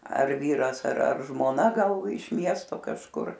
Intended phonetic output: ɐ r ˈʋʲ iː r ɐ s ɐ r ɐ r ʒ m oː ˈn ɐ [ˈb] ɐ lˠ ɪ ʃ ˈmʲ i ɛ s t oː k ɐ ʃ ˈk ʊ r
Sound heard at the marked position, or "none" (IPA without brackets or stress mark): ɡ